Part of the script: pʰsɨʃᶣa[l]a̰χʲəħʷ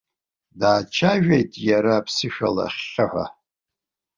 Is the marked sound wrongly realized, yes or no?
no